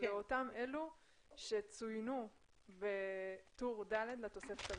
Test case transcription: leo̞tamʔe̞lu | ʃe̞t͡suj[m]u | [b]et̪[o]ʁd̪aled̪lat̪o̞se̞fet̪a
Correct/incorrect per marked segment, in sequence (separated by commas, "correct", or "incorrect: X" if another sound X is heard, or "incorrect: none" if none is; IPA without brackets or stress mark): incorrect: n, correct, incorrect: u